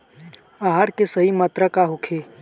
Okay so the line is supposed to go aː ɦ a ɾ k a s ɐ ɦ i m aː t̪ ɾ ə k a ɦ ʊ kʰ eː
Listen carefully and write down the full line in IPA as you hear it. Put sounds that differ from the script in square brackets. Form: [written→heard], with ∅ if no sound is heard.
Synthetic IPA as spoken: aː ɦ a ɾ k [a→e] s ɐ ɦ i m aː t̪ ɾ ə k a ɦ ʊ kʰ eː